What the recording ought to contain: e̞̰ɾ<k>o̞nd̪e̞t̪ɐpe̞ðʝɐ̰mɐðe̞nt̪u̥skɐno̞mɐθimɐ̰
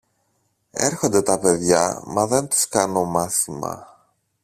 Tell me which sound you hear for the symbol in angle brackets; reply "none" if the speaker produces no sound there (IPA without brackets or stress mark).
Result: x